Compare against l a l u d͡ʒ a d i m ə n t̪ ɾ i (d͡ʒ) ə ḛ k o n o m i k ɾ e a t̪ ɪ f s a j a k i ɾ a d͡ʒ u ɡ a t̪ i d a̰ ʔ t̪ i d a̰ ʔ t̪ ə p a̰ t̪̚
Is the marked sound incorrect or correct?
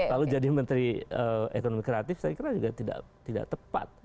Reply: incorrect